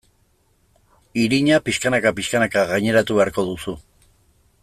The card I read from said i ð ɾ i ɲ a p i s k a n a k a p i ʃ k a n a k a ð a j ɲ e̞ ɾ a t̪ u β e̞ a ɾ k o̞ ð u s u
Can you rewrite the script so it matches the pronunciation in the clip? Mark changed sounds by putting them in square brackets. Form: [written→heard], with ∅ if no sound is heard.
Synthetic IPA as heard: i [ð→∅] ɾ i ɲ a p i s k a n a k a p i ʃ k a n a k a [ð→ɣ] a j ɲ e̞ ɾ a t̪ u β e̞ a ɾ k o̞ ð u s u